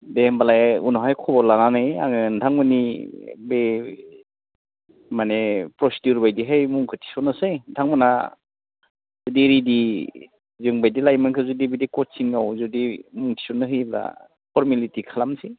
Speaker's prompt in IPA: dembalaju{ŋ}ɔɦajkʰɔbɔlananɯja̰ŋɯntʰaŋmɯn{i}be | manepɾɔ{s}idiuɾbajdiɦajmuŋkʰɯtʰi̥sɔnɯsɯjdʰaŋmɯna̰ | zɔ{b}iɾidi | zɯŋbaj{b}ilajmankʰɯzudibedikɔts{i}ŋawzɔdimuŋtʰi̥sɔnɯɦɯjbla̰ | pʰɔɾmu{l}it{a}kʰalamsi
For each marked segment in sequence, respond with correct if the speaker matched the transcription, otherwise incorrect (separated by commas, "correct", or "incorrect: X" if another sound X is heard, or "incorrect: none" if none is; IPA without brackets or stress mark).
incorrect: n, correct, correct, incorrect: d, incorrect: d, correct, correct, incorrect: i